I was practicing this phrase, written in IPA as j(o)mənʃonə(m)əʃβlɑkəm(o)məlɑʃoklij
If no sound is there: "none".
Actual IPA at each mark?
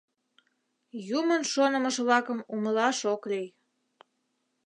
u, m, u

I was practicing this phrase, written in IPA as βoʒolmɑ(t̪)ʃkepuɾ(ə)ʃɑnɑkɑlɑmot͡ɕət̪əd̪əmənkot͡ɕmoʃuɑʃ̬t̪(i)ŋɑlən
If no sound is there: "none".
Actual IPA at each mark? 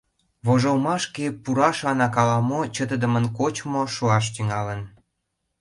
none, ɑ, y

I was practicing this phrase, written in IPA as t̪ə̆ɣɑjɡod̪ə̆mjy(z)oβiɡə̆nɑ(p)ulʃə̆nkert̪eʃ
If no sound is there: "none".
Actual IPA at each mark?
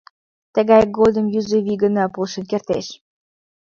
z, p

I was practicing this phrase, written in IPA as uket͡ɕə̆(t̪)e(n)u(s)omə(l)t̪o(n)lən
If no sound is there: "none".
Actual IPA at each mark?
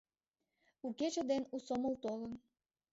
d̪, n, s, l, none

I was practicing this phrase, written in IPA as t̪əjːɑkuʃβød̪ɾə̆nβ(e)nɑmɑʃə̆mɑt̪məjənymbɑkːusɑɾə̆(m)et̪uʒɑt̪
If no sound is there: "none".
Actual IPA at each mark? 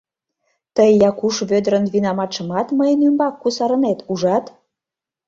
i, n

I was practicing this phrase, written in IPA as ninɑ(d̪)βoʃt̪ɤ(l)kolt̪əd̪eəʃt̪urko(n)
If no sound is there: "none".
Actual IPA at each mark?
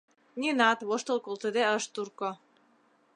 t̪, l, none

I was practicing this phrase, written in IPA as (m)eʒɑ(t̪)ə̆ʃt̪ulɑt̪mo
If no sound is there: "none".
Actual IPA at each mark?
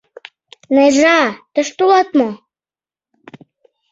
n, t̪

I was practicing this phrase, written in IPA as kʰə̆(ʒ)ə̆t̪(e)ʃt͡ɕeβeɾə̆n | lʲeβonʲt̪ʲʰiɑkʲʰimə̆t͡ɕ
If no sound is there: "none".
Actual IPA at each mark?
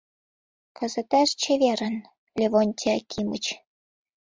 z, æ

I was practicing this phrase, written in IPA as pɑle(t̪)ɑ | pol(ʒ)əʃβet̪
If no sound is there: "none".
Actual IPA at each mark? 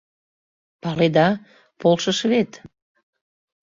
d̪, ʃ

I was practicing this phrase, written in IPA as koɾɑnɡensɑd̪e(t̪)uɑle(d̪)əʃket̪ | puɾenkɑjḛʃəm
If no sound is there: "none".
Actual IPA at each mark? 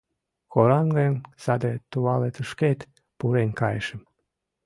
t̪, t̪

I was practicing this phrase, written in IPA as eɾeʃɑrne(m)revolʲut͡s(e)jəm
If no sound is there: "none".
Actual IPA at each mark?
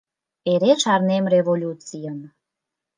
m, i

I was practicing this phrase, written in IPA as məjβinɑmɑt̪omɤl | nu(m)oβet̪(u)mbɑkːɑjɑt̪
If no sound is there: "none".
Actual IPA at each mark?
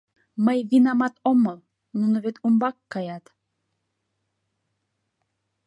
n, u

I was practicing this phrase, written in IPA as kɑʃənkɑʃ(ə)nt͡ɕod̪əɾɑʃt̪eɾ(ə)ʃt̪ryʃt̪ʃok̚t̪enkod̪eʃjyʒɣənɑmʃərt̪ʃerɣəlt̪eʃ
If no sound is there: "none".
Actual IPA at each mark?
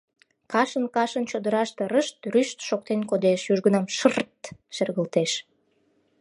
ə, ə

